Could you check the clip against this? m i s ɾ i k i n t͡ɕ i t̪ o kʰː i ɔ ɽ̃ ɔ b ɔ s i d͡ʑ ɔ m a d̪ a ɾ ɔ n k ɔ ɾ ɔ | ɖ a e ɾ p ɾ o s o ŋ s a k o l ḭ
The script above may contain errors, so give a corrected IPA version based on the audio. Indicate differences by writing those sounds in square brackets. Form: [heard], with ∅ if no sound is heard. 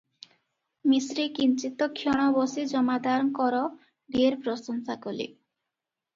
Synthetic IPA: m i s ɾ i k i n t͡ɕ i t̪ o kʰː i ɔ ɽ̃ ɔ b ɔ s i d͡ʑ ɔ m a d̪ a ɾ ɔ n k ɔ ɾ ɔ | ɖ [i] e ɾ p ɾ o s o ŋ s a k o l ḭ